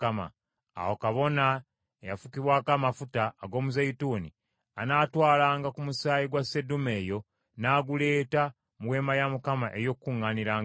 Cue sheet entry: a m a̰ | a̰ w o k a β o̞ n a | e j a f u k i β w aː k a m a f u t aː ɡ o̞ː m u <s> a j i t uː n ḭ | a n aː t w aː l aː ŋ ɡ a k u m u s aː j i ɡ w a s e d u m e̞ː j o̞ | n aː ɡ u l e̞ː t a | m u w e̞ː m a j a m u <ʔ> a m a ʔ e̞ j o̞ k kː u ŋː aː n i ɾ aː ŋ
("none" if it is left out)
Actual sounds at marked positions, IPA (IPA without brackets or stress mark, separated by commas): z, k